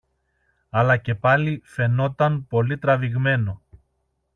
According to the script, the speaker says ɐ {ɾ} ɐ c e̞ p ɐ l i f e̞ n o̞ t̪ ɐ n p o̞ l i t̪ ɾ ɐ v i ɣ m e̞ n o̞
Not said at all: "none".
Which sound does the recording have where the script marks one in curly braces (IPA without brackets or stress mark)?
l